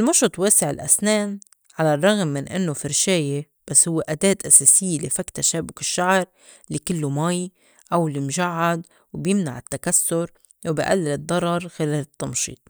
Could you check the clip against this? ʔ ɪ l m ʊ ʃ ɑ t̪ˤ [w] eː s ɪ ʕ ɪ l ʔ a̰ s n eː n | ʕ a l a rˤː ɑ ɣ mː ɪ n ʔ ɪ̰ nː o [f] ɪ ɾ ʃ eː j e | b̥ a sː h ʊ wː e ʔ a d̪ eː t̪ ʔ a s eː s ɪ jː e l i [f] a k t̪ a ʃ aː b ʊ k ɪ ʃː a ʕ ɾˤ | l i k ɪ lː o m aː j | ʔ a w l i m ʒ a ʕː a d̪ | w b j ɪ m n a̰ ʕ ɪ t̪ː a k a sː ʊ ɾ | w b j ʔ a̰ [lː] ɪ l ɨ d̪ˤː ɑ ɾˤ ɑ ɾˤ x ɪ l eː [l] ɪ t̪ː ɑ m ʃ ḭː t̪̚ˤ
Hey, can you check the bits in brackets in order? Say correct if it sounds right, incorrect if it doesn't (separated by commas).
correct, correct, correct, correct, correct